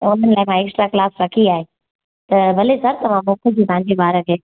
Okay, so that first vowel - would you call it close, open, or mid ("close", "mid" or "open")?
close